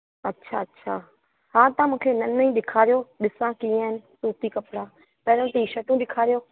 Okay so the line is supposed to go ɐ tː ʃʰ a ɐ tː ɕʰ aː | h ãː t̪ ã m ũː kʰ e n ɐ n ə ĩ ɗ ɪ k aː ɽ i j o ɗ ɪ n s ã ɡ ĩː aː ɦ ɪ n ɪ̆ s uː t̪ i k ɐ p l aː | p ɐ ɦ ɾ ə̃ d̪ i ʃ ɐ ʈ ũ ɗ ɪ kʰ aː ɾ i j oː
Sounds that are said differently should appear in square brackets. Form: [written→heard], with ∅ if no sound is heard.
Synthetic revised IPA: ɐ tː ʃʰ a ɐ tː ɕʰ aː | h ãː t̪ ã m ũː kʰ e n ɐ n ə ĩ ɗ ɪ [k→kʰ] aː [ɽ→ɾ] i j o ɗ ɪ [n→∅] s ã [ɡ→k] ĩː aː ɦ ɪ n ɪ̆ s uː t̪ i k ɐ p [l→ɽ] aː | p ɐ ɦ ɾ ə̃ [d̪→t̪] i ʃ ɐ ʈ ũ ɗ ɪ kʰ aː ɾ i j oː